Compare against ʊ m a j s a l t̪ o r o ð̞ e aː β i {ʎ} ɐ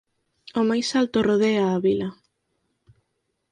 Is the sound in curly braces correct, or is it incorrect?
incorrect